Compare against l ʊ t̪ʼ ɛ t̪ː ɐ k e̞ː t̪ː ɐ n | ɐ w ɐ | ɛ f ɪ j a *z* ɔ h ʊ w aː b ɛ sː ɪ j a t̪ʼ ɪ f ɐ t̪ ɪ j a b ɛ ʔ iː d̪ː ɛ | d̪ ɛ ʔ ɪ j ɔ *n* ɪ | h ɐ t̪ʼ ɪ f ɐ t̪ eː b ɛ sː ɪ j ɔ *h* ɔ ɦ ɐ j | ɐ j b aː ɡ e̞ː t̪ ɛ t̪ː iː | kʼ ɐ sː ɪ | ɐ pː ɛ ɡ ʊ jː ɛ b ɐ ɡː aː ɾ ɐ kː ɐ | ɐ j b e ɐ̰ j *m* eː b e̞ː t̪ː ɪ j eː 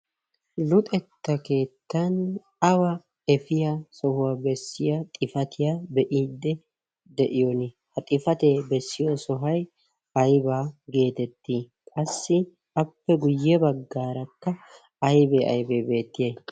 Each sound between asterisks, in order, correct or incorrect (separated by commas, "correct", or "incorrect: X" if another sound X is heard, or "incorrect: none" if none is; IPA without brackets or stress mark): incorrect: s, correct, incorrect: s, incorrect: b